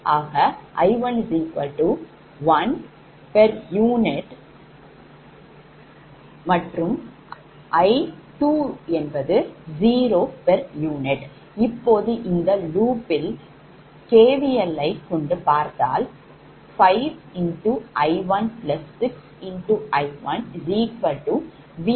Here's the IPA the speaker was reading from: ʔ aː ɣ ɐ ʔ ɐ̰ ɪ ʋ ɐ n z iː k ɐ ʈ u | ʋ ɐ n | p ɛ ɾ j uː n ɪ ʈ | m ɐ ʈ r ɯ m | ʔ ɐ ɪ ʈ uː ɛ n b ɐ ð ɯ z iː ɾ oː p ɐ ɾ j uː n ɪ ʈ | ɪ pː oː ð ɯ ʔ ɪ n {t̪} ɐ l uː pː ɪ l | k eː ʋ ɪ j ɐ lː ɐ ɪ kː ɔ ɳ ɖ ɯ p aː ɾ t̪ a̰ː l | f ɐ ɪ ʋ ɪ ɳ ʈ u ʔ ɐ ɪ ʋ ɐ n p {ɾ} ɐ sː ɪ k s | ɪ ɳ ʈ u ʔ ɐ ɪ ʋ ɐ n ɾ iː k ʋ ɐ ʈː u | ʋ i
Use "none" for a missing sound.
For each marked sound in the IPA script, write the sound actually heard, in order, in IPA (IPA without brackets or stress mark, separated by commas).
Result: d̪, l